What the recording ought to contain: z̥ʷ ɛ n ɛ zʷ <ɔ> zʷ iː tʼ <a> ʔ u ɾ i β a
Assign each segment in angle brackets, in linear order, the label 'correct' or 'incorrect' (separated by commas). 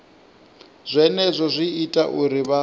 correct, correct